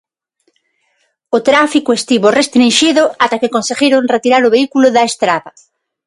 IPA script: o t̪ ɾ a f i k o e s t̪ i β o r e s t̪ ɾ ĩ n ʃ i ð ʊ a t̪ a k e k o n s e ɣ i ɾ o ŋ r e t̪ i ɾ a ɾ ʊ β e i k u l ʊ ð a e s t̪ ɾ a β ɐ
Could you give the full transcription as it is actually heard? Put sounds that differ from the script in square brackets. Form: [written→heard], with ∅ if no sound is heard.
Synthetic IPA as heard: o t̪ ɾ a f i k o e s t̪ i β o r e s t̪ ɾ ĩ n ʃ i ð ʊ a t̪ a k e k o n s e ɣ i ɾ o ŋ r e t̪ i ɾ a ɾ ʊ β e i k u l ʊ ð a e s t̪ ɾ a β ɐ